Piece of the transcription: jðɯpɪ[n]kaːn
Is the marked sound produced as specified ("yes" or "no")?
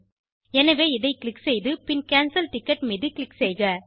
yes